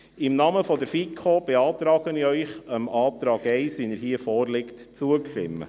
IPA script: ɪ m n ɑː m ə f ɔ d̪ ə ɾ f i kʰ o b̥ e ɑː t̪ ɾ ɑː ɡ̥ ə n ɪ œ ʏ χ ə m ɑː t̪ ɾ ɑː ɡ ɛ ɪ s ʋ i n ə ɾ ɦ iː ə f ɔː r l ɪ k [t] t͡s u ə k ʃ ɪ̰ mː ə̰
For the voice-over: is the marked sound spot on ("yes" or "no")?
yes